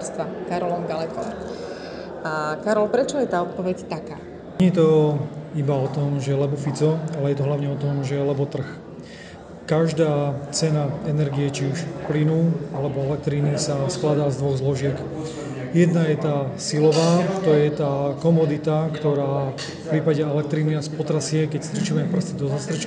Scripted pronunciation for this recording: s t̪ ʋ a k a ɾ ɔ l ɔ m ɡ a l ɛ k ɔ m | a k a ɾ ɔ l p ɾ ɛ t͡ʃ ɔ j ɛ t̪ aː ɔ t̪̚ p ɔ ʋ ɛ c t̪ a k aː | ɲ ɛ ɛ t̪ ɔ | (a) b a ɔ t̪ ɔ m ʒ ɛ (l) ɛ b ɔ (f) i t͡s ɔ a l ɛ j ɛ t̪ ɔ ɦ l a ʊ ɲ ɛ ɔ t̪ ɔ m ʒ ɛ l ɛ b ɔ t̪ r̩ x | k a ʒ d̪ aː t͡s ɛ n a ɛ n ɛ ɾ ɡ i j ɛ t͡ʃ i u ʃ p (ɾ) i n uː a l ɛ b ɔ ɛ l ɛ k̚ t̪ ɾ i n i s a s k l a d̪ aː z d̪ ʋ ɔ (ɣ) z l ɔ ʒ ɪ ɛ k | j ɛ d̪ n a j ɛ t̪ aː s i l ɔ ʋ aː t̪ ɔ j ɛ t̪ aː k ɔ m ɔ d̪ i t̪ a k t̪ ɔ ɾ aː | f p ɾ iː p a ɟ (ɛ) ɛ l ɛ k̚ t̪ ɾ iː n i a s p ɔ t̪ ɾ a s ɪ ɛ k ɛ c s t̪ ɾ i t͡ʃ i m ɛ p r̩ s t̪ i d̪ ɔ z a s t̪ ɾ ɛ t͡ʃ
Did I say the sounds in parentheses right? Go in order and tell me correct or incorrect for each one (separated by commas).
incorrect, correct, correct, incorrect, correct, correct